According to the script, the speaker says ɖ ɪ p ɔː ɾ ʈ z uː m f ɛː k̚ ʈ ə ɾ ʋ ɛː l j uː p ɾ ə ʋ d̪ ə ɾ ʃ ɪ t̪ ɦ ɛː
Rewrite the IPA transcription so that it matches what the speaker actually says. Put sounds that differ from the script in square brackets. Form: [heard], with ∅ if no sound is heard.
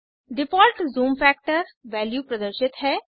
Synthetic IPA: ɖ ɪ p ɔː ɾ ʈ z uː m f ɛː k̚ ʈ ə ɾ ʋ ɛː l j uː p ɾ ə [∅] d̪ ə ɾ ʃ ɪ t̪ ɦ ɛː